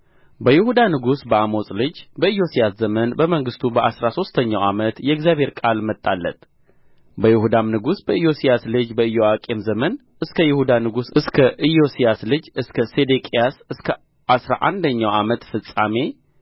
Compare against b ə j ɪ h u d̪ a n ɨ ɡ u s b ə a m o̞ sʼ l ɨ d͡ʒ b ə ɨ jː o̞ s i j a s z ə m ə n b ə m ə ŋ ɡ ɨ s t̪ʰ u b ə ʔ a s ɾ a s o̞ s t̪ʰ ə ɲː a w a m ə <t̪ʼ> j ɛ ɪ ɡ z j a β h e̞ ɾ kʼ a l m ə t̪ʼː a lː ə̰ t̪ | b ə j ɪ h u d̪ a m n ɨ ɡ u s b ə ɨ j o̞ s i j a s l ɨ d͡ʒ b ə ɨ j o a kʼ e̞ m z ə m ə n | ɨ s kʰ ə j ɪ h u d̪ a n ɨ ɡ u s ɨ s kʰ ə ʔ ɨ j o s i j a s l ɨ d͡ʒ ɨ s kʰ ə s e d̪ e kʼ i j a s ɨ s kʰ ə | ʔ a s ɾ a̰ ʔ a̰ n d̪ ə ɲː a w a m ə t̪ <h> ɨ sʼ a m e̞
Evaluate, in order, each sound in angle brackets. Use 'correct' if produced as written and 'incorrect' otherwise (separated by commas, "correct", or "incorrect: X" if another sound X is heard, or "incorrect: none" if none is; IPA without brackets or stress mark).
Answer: incorrect: t̪, incorrect: f